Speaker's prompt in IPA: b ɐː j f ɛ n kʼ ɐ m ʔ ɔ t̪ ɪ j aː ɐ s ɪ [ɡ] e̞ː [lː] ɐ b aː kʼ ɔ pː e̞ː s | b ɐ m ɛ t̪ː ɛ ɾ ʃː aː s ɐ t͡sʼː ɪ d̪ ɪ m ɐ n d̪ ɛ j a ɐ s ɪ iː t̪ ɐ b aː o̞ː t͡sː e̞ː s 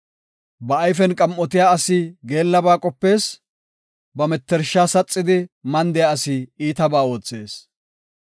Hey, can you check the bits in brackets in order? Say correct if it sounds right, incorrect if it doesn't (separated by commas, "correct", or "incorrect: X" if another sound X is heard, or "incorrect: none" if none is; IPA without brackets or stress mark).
correct, correct